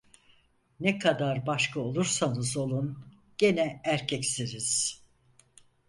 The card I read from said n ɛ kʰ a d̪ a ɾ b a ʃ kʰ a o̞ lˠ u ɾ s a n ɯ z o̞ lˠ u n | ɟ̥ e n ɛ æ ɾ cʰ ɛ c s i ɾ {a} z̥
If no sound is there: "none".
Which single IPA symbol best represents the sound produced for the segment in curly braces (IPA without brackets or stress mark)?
i